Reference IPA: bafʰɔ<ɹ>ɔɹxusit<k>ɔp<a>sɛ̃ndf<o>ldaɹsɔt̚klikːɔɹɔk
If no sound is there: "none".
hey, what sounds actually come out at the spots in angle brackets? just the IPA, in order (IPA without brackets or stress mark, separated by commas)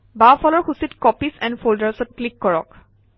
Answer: l, k, i, o